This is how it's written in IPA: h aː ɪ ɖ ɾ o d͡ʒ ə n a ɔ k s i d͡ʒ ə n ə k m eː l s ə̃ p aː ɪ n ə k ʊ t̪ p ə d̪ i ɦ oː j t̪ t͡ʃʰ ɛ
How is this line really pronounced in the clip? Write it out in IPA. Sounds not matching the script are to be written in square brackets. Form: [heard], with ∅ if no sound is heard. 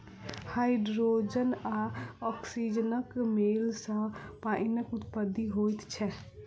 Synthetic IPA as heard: h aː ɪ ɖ ɾ o d͡ʒ ə n a ɔ k s i d͡ʒ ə n ə k m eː l s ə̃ p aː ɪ n ə k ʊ t̪ p ə d̪ i ɦ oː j t̪ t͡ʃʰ ɛ